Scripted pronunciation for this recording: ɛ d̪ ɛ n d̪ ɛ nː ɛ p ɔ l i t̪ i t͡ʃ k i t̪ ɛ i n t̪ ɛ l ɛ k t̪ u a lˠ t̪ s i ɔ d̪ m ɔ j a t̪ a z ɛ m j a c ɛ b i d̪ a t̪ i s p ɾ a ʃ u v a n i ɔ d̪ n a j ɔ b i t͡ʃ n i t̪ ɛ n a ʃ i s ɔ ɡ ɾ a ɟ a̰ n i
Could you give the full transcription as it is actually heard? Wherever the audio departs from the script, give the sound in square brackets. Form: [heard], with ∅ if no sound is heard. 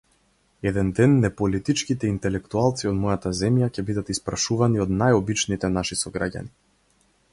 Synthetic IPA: ɛ d̪ ɛ n d̪ ɛ nː ɛ p ɔ l i t̪ i t͡ʃ k i t̪ ɛ i n t̪ ɛ l ɛ k t̪ u a lˠ t̪ s i ɔ d̪ m ɔ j a t̪ a z ɛ m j a c ɛ b i d̪ a t̪ i s p ɾ a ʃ u v a n i ɔ d̪ n a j ɔ b i t͡ʃ n i t̪ ɛ n a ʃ i s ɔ ɡ ɾ a ɟ a̰ n i